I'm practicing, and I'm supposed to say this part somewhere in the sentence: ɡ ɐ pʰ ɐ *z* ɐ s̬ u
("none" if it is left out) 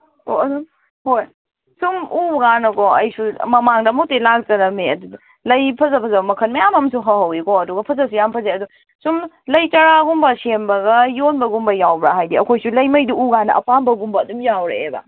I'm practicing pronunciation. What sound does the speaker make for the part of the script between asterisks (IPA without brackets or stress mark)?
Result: z